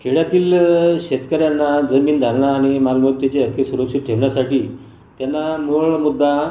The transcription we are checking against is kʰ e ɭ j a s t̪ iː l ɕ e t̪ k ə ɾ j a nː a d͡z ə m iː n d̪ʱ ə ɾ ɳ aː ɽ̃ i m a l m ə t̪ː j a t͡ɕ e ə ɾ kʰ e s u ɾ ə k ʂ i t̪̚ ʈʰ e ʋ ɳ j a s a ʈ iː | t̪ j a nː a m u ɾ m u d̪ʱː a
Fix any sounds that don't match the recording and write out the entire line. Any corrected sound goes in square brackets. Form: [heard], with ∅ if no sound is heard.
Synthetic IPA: kʰ e ɭ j a [∅] t̪ iː l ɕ e t̪ k ə ɾ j a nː a d͡z ə m iː n d̪ʱ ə ɾ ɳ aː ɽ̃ i m a l m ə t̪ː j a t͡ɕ e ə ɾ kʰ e s u ɾ ə k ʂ i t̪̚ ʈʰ e ʋ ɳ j a s a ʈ iː | t̪ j a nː a m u [ɭ] m u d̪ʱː a